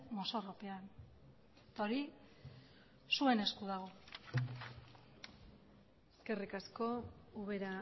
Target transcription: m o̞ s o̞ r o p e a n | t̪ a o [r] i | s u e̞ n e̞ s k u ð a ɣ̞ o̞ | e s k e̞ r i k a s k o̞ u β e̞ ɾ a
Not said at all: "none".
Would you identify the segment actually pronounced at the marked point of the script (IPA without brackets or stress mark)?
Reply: ɾ